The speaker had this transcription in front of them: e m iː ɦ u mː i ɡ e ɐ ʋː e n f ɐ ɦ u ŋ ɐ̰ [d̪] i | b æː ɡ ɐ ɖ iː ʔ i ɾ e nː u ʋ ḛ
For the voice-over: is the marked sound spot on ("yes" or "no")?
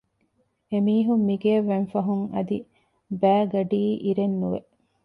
yes